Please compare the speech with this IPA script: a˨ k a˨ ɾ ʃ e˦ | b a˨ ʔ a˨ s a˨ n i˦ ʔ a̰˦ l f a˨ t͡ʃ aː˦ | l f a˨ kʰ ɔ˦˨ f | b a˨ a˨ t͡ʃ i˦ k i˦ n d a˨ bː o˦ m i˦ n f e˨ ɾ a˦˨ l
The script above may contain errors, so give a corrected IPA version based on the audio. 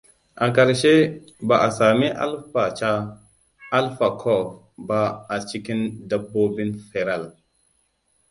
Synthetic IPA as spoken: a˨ k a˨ ɾ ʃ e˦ | b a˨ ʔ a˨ s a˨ m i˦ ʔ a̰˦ l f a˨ t͡ʃ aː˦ | l f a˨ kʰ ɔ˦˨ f | b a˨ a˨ t͡ʃ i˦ k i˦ n d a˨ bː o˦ b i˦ n f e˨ ɾ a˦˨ l